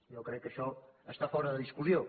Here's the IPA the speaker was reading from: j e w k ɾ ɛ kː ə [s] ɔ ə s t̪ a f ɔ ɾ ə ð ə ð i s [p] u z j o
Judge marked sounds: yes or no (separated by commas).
no, no